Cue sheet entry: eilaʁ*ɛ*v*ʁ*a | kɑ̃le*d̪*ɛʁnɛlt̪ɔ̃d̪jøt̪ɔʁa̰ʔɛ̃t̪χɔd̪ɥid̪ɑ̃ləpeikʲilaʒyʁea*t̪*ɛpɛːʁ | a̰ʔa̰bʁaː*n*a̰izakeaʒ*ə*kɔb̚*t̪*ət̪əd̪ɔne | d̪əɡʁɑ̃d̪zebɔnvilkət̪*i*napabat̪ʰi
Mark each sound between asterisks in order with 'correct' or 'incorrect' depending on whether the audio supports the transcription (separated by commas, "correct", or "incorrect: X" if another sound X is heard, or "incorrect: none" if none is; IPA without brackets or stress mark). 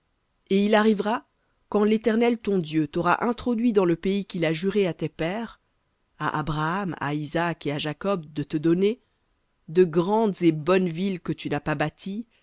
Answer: incorrect: i, correct, incorrect: t̪, correct, incorrect: m, incorrect: a, incorrect: d̪, incorrect: y